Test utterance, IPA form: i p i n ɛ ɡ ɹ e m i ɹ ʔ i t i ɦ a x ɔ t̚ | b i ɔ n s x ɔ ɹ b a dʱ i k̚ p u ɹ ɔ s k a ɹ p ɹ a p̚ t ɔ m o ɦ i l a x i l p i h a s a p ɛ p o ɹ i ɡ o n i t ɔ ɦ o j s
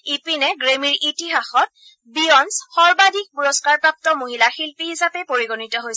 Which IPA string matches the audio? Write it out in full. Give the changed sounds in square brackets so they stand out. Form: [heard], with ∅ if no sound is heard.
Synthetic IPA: i p i n ɛ ɡ ɹ e m i ɹ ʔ i t i ɦ a x ɔ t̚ | b i ɔ n s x ɔ ɹ b a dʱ i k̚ p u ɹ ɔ s k a ɹ p ɹ a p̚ t ɔ m o ɦ i l a x i l p i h [i] s a p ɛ p o ɹ i ɡ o n i t ɔ ɦ o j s